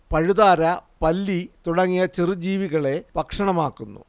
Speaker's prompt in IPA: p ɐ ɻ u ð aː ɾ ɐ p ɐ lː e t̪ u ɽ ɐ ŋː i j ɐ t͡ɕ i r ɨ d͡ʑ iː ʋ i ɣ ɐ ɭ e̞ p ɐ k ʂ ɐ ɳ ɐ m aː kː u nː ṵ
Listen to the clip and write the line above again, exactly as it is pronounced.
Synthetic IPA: p ɐ ɻ u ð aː ɾ ɐ p ɐ lː i t̪ u ɽ ɐ ŋː i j ɐ t͡ɕ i r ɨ d͡ʑ iː ʋ i ɣ ɐ ɭ e̞ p ɐ k ʂ ɐ ɳ ɐ m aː kː u nː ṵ